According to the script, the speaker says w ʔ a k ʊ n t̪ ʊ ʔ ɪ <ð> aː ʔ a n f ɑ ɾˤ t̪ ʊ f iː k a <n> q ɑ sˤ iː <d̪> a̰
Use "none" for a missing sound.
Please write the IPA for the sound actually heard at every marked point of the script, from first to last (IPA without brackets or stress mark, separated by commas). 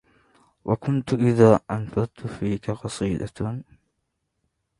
ð, none, d̪